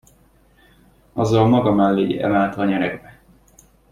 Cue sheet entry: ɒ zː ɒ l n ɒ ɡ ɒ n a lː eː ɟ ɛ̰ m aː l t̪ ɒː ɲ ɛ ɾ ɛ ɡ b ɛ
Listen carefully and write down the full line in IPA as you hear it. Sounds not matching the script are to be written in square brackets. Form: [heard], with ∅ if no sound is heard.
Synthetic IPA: ɒ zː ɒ l [m] ɒ ɡ ɒ [m] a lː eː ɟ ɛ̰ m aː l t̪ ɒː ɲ ɛ ɾ ɛ ɡ b ɛ